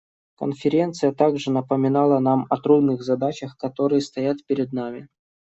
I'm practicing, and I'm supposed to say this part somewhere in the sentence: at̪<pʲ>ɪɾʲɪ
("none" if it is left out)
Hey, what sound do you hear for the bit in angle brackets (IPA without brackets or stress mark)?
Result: pʲ